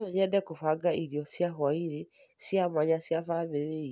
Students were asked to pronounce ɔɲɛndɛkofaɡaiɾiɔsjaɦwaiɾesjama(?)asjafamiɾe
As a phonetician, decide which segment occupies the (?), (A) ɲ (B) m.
A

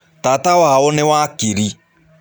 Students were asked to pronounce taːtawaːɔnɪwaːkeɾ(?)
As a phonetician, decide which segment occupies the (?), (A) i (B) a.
A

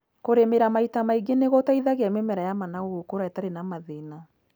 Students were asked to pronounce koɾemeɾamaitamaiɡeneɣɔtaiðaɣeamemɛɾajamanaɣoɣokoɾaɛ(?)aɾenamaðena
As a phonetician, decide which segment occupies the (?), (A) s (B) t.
B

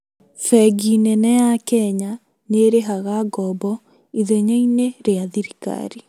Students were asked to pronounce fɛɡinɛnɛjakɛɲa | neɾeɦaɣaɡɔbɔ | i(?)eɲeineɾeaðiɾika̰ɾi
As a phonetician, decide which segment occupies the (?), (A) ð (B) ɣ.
A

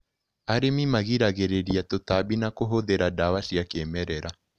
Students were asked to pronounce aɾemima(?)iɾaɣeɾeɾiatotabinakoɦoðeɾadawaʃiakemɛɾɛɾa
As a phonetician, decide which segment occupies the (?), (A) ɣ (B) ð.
A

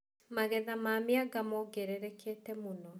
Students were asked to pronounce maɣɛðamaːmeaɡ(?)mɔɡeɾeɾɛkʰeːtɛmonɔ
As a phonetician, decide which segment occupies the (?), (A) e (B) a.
B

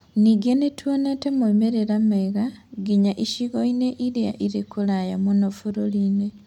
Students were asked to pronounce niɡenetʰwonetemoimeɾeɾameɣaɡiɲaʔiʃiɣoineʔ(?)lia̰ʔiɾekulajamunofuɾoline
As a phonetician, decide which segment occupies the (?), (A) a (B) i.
B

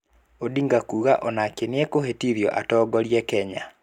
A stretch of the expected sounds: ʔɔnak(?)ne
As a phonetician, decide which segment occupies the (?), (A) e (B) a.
A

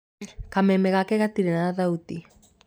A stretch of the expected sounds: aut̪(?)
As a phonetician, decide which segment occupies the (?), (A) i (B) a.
A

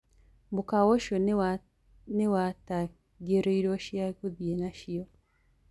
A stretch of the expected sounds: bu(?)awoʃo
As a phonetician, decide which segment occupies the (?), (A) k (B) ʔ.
A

